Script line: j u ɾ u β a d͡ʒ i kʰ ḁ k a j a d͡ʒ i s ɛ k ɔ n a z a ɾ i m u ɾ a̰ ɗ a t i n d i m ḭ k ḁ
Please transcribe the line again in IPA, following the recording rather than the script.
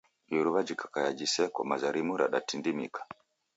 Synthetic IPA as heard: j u ɾ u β a d͡ʒ i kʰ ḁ k a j a d͡ʒ i s ɛ k ɔ m a z a ɾ i m u ɾ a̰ ɗ a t i n d i m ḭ k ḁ